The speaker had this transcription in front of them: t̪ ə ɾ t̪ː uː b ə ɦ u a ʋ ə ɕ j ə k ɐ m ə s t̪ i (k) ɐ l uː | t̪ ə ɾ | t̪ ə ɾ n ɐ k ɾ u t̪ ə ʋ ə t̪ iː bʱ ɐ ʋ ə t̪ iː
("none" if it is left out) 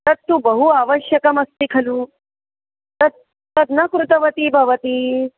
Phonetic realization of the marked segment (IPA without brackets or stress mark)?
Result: kʰ